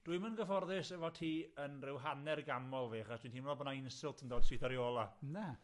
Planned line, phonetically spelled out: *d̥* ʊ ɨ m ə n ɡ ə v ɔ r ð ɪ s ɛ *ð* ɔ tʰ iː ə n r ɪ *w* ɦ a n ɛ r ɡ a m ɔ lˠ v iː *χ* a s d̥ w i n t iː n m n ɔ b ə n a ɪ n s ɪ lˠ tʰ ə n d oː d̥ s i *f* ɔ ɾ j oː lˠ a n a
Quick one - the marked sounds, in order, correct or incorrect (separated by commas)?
correct, incorrect, correct, correct, incorrect